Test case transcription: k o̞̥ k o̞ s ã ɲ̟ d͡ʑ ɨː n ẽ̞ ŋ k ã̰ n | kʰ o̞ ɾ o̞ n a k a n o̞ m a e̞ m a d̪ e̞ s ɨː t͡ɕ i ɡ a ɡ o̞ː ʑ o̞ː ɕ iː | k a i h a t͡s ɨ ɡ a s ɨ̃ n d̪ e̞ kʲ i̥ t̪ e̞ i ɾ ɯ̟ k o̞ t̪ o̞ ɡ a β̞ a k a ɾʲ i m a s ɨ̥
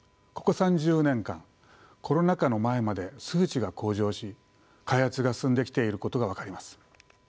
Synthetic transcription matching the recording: k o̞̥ k o̞ s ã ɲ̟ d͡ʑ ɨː n ẽ̞ ŋ k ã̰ ŋ | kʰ o̞ ɾ o̞ n a k a n o̞ m a e̞ m a d̪ e̞ s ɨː t͡ɕ i ɡ a k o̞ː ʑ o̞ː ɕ i | k a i h a t͡s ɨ ɡ a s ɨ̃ n d̪ e̞ kʲ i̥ t̪ e̞ i ɾ ɯ̟ k o̞ t̪ o̞ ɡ a β̞ a k a ɾʲ i m a s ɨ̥